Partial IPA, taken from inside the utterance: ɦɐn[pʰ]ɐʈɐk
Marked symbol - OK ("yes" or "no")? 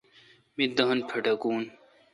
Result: yes